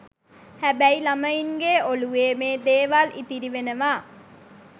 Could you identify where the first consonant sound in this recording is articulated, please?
glottal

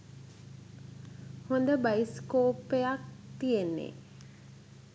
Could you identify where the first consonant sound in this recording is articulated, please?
glottal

